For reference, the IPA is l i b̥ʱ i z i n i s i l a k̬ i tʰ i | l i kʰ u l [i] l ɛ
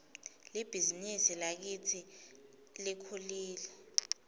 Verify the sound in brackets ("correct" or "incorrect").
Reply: incorrect